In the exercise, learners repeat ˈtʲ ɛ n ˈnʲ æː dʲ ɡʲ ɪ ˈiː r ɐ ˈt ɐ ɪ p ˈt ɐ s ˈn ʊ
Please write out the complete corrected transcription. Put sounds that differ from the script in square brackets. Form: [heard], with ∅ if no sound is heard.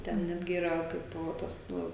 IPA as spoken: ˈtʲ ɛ n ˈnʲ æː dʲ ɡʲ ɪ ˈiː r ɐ [ˈk] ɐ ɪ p ˈt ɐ s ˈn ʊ